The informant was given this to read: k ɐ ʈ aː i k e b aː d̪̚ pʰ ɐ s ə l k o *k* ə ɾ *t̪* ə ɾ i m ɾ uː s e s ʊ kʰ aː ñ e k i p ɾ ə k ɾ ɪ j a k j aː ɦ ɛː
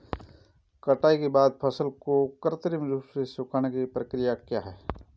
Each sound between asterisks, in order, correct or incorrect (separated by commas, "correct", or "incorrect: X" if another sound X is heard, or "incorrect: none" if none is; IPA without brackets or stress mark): correct, correct